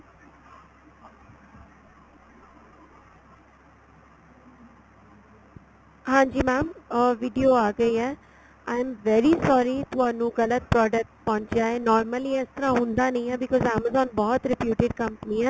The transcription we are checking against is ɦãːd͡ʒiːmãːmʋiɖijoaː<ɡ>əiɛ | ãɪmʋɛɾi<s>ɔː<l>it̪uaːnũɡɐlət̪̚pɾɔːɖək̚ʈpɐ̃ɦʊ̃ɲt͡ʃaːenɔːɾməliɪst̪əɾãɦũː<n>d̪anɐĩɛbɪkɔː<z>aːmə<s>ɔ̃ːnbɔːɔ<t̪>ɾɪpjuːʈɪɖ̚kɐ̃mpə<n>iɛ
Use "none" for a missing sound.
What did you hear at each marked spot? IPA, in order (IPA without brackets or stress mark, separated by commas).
ɡ, s, ɾ, n, z, z, t̪, n